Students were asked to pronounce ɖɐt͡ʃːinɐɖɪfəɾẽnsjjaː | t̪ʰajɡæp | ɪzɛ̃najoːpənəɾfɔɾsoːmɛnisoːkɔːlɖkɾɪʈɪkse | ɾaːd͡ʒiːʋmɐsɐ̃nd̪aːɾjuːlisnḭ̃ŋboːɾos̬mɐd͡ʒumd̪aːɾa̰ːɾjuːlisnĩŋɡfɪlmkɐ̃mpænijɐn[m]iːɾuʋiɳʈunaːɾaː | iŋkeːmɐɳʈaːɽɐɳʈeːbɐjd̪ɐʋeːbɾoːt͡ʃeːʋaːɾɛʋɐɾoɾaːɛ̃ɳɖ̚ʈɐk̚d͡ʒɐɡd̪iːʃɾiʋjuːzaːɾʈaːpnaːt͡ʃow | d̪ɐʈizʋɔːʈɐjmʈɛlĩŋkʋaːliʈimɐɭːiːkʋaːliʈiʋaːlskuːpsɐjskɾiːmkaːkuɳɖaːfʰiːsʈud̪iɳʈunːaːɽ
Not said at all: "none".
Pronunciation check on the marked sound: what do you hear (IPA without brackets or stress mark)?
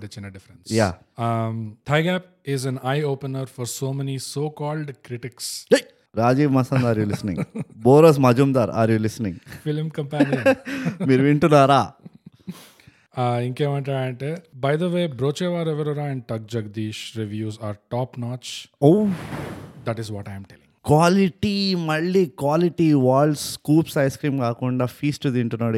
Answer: m